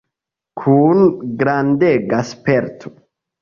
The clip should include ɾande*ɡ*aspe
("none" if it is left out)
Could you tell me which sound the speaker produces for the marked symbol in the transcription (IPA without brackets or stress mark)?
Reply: ɡ